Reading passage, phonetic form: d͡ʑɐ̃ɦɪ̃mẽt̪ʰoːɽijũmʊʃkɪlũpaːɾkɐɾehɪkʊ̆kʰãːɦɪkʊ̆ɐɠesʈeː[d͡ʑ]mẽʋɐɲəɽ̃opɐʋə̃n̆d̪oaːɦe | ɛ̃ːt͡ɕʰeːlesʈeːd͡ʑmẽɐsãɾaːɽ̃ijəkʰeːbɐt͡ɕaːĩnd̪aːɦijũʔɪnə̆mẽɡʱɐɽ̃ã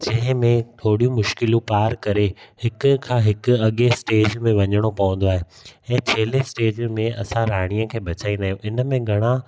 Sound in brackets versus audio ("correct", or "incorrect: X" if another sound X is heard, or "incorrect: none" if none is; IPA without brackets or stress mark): correct